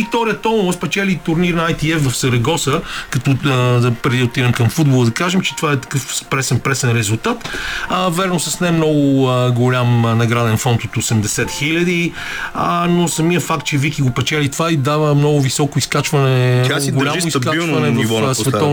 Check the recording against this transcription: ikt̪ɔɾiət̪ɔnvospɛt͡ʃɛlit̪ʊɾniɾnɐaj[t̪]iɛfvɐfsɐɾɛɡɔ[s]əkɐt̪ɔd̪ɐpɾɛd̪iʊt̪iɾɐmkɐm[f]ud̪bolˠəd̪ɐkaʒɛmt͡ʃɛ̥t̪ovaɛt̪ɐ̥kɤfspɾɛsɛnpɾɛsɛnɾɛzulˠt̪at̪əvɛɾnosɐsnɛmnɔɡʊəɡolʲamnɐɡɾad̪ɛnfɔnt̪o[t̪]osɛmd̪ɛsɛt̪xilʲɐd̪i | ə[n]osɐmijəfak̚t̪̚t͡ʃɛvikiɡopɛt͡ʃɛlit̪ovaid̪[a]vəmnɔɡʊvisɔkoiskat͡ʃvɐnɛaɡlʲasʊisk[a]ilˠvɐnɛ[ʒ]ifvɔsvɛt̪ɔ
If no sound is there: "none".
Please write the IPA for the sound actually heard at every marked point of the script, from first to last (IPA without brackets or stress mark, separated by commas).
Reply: t̪, s, f, t̪, n, a, a, v